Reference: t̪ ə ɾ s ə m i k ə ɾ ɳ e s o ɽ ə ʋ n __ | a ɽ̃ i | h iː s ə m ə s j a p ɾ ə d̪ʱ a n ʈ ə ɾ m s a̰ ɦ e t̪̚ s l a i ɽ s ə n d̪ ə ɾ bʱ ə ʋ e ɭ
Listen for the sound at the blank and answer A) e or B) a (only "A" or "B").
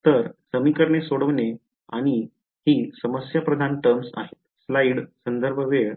A